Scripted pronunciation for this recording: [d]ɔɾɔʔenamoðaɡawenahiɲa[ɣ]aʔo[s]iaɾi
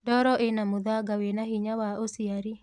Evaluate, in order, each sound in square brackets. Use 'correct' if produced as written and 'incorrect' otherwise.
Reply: correct, incorrect, correct

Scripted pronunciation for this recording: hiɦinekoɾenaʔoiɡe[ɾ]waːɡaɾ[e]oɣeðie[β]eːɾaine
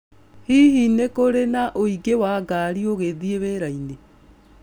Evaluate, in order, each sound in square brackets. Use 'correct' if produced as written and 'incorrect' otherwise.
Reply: incorrect, incorrect, correct

